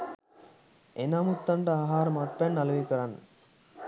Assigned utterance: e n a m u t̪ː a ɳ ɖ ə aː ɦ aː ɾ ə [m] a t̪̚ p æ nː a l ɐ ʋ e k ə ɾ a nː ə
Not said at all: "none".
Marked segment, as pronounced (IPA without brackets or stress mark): m